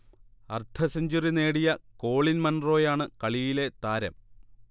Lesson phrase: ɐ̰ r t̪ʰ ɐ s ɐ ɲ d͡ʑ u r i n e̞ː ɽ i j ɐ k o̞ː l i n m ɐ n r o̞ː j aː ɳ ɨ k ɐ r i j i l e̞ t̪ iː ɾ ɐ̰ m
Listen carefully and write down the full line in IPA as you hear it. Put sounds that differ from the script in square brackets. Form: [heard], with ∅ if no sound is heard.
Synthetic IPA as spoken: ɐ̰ r t̪ʰ ɐ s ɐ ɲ d͡ʑ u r i n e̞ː ɽ i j ɐ k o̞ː [ɭ] i n m ɐ n r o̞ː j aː ɳ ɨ k ɐ [ɭ] i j i l e̞ t̪ [aː] ɾ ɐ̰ m